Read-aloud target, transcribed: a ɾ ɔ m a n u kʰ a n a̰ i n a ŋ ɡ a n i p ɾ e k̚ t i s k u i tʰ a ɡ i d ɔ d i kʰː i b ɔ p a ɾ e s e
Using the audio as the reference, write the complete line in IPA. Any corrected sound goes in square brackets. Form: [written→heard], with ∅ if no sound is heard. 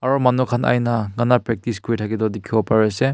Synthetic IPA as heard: a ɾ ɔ m a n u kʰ a n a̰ [i→j] n a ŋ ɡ a n [i→a] p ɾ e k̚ t i s k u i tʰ a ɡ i d ɔ d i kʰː i b ɔ p a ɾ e s e